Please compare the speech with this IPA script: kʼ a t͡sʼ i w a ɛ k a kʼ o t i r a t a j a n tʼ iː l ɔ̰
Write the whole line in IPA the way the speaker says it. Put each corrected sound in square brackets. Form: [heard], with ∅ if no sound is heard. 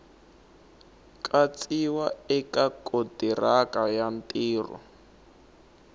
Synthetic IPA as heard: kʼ a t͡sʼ i w a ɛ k a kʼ o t i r a [k] a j a n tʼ iː [r] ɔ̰